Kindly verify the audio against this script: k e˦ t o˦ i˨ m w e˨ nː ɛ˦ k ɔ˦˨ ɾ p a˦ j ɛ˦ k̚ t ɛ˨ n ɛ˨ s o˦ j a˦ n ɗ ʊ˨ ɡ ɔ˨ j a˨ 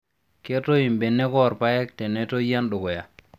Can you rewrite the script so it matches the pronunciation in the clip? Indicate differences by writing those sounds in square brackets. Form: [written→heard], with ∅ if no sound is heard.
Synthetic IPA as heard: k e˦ t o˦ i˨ m [w→b] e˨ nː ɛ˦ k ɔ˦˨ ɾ p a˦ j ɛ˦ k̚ t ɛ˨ n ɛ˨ [s→t] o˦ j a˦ n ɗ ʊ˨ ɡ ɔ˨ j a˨